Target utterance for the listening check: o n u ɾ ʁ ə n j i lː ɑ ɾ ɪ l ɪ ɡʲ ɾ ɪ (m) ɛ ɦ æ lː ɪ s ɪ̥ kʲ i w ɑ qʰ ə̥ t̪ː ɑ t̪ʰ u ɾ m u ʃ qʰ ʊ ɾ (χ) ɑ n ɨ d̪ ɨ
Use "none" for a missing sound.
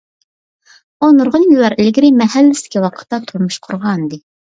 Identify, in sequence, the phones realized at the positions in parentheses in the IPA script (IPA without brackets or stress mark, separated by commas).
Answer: m, ʁ